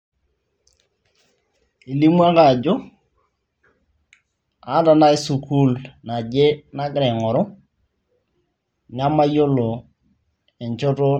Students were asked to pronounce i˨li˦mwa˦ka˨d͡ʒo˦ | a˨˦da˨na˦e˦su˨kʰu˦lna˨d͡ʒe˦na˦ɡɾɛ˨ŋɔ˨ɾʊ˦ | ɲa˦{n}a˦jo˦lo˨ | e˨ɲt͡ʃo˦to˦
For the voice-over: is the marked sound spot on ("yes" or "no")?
no